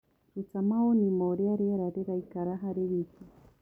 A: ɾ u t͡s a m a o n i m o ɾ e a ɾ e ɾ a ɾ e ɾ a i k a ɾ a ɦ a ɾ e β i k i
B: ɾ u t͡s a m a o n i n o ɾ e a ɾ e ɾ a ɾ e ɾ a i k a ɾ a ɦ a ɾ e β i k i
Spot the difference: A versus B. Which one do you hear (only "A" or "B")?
A